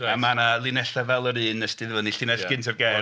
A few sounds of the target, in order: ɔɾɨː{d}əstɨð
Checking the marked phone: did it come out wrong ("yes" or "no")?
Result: yes